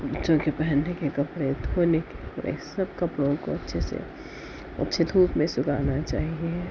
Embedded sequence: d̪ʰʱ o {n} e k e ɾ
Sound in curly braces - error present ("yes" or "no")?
no